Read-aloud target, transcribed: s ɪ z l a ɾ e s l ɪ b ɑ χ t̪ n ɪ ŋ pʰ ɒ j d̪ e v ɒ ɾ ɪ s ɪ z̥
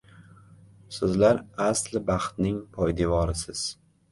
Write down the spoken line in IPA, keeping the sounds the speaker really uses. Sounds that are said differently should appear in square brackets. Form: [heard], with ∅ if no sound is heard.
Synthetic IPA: s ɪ z l a ɾ [a] s l ɪ b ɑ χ t̪ n ɪ ŋ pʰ ɒ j d̪ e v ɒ ɾ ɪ s ɪ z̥